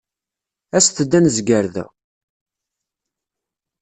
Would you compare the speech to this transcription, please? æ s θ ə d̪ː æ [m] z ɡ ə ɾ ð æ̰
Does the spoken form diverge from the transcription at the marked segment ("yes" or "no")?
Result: yes